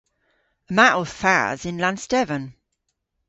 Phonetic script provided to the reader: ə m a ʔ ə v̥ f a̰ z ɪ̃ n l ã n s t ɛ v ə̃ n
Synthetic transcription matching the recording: ə m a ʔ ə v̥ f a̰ z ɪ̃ n l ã n s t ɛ v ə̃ n

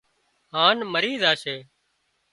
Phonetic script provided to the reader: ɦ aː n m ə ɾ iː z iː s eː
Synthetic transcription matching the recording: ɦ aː n m ə ɾ iː z aː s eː

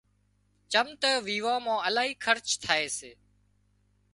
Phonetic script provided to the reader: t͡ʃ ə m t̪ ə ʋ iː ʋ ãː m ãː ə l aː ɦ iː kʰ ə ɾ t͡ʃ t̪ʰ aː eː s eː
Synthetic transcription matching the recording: t͡ʃ ə m t̪ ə ʋ iː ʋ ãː m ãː ə l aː ɦ iː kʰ ə ɾ t͡ʃ t̪ʰ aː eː s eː

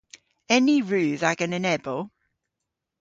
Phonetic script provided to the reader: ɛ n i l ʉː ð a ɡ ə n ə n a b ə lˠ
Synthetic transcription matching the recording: ɛ n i ɹ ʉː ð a ɡ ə n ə n ɛ b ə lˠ

